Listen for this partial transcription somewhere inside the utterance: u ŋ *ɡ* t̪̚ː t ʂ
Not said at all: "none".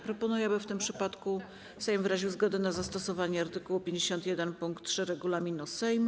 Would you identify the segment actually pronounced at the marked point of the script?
k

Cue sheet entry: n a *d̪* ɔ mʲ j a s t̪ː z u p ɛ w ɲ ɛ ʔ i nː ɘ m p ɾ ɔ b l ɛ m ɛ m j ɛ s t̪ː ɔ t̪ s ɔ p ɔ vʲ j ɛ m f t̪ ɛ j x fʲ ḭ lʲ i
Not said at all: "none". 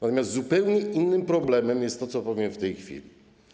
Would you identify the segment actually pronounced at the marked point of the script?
t̪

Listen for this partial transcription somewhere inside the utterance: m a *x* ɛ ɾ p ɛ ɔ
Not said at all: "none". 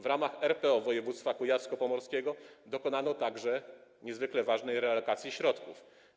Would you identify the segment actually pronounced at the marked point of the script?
x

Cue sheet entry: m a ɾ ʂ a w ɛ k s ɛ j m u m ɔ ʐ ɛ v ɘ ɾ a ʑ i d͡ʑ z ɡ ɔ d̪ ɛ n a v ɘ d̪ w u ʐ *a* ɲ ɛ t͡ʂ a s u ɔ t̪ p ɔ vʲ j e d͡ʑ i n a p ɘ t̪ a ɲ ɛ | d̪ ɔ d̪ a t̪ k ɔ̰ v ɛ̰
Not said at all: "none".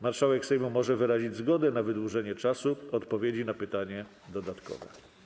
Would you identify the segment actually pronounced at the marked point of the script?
ɛ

